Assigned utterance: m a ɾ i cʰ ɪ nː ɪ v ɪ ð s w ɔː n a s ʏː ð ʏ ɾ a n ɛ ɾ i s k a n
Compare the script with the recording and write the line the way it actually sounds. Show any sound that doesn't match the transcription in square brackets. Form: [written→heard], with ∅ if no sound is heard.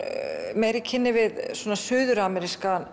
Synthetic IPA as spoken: m [a→ɛ] ɾ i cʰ ɪ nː ɪ v ɪ ð s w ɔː n a s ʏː ð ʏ ɾ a [n→m] ɛ ɾ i s k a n